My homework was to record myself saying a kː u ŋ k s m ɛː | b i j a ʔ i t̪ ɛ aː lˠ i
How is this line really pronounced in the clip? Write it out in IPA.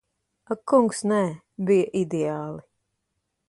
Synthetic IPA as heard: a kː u ŋ k s n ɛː | b i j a ʔ i d̪ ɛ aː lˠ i